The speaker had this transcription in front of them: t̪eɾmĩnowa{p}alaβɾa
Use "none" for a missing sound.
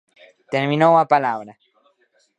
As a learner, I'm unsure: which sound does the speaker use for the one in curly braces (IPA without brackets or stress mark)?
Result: p